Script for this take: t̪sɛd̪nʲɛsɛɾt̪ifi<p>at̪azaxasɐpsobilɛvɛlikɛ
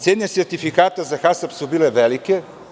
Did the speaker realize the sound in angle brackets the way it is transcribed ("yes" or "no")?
no